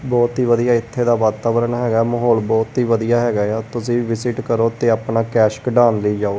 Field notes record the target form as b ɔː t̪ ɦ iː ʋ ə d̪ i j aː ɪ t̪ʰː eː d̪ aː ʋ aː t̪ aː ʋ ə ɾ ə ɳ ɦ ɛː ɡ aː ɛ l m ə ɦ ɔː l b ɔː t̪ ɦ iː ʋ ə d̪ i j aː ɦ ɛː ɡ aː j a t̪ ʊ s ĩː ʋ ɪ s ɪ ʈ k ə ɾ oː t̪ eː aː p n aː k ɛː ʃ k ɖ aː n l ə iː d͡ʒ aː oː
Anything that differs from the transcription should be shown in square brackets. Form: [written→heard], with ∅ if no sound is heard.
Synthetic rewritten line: b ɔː t̪ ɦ iː ʋ ə d̪ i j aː ɪ t̪ʰː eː d̪ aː ʋ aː t̪ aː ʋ ə ɾ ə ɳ ɦ ɛː ɡ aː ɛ [l→∅] m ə ɦ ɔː l b ɔː t̪ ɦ iː ʋ ə d̪ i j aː ɦ ɛː ɡ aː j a t̪ ʊ s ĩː ʋ ɪ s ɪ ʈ k ə ɾ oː t̪ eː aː p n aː k ɛː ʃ k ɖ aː n l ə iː d͡ʒ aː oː